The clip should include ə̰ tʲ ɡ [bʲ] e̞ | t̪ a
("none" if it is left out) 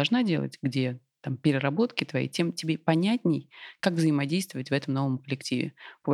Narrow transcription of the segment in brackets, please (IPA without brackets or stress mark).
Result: dʲ